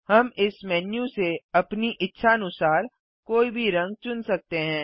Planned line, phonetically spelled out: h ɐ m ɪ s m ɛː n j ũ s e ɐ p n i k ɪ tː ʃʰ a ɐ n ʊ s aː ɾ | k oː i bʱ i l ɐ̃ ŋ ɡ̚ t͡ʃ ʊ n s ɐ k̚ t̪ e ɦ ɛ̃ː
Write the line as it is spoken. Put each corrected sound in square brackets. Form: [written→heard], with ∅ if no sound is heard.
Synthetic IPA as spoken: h ɐ m ɪ s m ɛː n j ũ s e ɐ p n i [k→ʔ] ɪ tː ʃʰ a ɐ n ʊ s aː ɾ | k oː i bʱ i [l→ɾ] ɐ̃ ŋ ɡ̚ t͡ʃ ʊ n s ɐ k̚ t̪ e ɦ ɛ̃ː